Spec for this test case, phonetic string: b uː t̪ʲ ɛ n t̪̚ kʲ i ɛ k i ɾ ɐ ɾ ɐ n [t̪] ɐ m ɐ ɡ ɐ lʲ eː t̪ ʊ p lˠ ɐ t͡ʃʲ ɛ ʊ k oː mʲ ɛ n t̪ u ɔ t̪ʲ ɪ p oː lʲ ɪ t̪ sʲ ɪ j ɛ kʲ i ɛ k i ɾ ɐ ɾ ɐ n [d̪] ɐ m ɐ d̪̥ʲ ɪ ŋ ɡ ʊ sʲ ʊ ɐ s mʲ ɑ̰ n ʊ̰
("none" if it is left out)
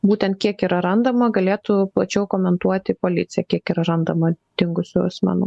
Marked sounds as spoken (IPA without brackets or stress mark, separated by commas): d̪, d̪